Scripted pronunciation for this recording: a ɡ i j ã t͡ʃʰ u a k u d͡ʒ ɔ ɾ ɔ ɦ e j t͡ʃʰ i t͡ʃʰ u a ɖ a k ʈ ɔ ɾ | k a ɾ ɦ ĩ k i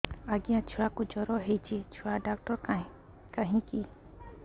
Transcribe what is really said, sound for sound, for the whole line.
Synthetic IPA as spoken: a ɡ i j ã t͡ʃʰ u a k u d͡ʒ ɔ ɾ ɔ ɦ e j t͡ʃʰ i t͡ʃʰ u a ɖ a k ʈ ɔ ɾ | k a ɦ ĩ k i